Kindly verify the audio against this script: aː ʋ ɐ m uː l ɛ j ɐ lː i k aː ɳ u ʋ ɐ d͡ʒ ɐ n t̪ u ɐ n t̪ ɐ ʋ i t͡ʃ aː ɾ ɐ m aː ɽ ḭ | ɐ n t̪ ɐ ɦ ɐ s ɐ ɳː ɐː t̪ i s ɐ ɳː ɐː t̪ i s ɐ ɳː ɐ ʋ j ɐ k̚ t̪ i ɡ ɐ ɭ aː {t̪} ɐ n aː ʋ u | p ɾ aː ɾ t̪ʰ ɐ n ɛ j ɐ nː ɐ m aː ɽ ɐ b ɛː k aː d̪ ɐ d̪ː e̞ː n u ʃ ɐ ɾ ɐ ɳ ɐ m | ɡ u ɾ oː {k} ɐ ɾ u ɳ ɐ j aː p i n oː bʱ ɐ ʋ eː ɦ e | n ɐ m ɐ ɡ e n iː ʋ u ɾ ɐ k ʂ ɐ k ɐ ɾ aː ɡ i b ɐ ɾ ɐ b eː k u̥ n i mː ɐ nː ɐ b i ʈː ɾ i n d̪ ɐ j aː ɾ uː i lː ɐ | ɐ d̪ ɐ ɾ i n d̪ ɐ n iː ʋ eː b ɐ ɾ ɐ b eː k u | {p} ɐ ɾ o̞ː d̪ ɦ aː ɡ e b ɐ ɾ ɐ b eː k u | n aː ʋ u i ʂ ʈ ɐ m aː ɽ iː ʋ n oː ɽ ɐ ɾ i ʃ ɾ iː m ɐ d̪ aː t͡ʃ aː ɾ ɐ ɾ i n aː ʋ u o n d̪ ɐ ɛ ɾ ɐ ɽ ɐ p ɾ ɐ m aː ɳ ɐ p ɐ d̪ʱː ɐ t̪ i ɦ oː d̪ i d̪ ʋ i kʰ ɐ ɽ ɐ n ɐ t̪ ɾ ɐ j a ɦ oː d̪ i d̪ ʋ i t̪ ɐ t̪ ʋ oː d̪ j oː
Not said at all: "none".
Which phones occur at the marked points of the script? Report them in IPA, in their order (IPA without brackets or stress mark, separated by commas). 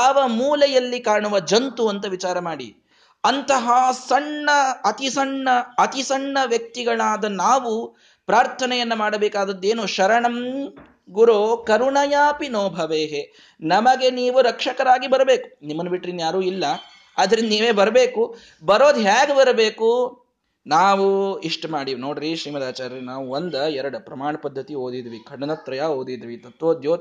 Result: d̪, k, b